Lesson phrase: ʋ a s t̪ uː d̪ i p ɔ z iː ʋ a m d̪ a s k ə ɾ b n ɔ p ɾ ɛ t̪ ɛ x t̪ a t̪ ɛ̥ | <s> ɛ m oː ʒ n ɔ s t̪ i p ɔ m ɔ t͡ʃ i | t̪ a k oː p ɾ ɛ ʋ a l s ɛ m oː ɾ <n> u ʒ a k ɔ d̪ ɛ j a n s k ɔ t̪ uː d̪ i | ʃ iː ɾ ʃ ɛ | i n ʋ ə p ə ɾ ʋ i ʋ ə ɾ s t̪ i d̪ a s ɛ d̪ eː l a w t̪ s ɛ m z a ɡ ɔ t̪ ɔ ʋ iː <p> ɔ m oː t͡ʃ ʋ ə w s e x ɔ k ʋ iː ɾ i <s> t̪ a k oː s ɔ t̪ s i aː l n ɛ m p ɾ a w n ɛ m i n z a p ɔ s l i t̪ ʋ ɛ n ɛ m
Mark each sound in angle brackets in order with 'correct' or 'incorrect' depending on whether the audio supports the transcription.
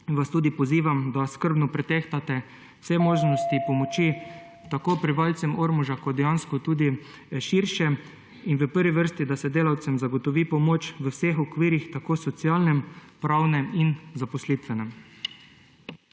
correct, incorrect: m, correct, incorrect: x

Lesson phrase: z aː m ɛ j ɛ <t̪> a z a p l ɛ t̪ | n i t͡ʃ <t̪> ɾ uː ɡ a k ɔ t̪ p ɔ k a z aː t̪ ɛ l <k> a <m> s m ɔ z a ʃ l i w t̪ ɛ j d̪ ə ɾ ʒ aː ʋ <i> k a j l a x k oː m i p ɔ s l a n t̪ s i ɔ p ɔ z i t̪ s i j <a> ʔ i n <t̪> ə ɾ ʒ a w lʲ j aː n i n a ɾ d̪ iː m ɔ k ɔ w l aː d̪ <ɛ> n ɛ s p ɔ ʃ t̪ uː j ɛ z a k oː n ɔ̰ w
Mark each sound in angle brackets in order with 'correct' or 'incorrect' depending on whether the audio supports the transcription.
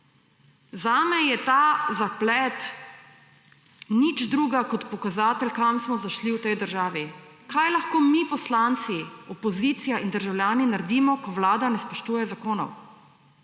correct, incorrect: d̪, correct, correct, correct, correct, incorrect: d̪, incorrect: a

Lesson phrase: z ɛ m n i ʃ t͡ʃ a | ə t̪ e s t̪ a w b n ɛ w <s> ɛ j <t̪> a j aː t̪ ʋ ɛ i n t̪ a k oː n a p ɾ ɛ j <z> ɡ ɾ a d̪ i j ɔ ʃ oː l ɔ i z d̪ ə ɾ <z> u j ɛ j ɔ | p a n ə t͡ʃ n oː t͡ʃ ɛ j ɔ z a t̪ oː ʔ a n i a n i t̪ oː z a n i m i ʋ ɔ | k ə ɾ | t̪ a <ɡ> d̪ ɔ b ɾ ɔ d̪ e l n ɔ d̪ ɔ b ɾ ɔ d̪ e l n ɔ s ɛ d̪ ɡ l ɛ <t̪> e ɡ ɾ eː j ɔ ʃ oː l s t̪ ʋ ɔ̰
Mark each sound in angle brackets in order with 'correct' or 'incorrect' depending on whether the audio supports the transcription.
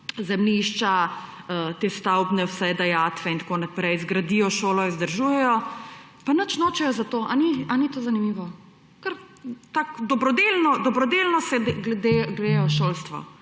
correct, incorrect: d̪, correct, incorrect: ʒ, incorrect: k, incorrect: d̪

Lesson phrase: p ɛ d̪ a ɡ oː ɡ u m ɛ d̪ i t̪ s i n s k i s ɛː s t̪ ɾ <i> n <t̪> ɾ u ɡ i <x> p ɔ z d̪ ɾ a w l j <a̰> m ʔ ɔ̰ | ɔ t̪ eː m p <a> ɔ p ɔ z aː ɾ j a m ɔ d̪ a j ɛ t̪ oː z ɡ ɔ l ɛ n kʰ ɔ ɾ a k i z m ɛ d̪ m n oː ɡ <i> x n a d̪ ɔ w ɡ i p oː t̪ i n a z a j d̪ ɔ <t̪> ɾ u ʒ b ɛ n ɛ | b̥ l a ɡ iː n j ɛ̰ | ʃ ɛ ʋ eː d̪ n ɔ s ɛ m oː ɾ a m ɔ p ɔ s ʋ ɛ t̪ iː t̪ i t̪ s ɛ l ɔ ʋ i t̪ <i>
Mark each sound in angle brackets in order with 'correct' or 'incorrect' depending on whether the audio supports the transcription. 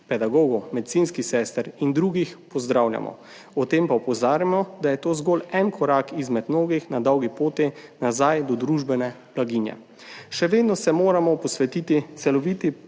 correct, incorrect: d̪, correct, correct, correct, correct, incorrect: d̪, correct

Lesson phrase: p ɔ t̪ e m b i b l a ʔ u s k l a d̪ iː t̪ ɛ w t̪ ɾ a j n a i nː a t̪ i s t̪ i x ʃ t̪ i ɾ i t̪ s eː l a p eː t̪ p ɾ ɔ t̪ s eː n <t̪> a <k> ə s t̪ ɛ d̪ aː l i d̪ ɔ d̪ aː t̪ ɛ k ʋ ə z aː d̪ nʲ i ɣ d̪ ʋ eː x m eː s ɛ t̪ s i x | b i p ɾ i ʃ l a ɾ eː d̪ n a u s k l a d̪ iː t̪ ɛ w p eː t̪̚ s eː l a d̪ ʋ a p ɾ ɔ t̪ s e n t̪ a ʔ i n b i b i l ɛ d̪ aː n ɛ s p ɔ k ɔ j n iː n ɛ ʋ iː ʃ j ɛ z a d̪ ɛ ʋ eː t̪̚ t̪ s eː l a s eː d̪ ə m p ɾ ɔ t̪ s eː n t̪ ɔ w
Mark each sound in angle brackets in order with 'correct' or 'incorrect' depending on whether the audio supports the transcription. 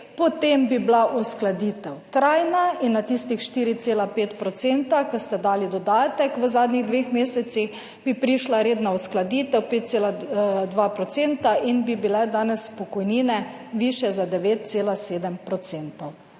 correct, correct

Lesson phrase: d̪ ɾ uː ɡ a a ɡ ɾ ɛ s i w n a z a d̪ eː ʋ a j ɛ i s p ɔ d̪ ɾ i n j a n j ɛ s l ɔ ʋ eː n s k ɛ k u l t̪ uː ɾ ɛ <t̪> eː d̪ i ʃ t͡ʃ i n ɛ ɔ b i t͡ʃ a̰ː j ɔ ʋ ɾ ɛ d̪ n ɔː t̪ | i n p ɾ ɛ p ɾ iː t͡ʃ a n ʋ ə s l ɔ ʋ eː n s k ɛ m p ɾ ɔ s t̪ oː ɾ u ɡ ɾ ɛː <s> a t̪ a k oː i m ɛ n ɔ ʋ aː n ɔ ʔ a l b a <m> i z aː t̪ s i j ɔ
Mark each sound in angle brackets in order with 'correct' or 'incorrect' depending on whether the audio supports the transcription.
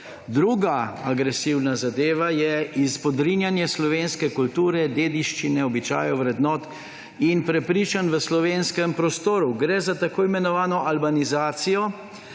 incorrect: d̪, incorrect: z, incorrect: n

